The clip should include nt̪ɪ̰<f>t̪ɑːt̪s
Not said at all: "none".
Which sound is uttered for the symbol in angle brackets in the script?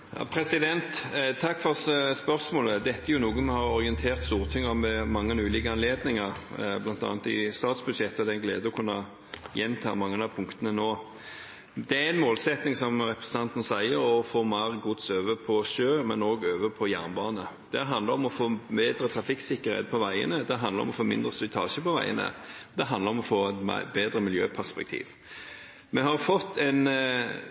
s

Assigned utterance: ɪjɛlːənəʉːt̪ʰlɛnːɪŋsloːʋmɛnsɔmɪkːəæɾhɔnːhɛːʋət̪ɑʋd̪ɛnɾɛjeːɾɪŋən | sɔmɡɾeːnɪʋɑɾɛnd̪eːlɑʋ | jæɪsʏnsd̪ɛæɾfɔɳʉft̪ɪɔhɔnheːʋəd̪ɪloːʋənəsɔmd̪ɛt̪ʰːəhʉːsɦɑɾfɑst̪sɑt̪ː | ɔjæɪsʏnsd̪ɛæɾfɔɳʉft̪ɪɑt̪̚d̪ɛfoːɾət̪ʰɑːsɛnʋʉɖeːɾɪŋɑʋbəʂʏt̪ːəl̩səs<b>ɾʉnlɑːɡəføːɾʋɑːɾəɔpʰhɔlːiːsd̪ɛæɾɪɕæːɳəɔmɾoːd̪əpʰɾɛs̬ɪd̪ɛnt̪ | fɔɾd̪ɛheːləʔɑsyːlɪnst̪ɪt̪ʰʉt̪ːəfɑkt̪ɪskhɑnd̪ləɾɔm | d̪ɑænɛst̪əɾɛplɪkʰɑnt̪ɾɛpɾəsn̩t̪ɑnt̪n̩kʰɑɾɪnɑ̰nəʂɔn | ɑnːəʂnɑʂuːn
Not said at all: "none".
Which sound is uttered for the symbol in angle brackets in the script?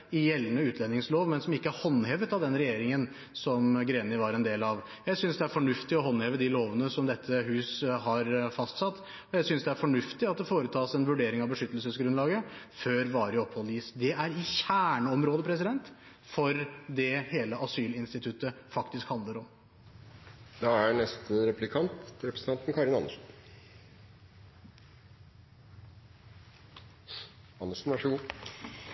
ɡ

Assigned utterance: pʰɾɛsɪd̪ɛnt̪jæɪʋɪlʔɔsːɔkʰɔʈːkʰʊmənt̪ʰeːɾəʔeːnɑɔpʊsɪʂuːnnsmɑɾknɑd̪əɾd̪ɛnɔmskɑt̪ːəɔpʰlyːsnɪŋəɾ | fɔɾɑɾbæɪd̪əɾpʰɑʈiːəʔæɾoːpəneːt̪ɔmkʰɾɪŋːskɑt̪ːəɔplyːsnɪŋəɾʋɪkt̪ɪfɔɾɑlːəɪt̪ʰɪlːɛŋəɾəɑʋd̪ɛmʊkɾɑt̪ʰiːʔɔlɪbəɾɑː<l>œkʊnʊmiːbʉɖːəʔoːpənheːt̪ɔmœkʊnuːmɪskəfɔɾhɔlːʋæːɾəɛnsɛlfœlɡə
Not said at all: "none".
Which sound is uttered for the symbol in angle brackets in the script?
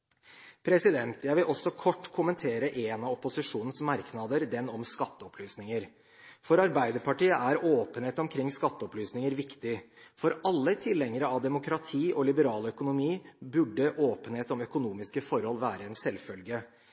l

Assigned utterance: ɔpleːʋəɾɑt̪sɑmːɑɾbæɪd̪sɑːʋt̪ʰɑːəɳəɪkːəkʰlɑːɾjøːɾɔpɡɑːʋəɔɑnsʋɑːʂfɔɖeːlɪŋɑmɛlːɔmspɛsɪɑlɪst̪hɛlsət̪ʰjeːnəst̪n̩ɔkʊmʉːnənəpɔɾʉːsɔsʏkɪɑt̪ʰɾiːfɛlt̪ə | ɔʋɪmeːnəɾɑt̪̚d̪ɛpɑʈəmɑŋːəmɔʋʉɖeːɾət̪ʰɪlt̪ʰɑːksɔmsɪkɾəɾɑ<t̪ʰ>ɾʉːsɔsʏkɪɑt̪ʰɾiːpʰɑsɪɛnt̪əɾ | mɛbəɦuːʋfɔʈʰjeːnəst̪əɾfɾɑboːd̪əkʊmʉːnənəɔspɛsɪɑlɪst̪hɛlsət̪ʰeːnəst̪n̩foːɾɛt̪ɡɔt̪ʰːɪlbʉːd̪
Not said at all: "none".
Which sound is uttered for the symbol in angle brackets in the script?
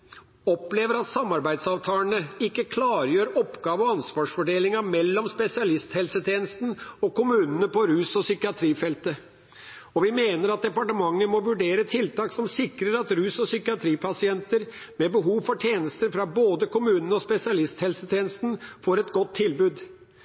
t̪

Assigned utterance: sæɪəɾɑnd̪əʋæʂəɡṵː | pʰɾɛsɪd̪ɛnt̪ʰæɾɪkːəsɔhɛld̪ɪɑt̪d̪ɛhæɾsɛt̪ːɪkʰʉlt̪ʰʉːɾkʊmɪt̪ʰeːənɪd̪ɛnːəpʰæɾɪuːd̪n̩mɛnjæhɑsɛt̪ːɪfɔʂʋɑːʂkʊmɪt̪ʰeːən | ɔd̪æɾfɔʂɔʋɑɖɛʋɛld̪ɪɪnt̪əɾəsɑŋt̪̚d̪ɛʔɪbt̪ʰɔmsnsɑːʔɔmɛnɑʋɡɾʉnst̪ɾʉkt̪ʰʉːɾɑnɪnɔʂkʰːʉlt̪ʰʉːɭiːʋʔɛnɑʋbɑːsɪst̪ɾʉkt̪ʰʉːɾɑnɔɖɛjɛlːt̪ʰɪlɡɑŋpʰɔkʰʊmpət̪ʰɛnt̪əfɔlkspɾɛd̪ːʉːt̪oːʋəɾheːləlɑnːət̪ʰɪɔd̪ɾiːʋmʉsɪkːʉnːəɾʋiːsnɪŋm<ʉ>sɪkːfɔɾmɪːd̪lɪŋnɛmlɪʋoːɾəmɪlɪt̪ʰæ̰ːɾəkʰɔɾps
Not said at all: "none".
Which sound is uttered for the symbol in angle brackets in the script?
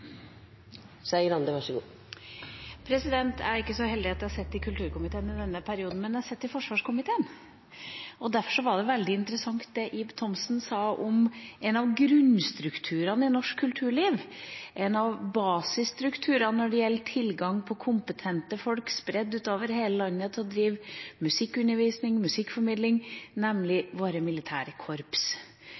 ʉ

